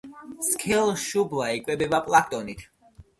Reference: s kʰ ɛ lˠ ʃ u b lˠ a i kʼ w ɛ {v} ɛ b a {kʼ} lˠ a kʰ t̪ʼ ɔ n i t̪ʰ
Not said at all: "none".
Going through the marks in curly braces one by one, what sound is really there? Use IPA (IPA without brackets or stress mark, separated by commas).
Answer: b, pʼ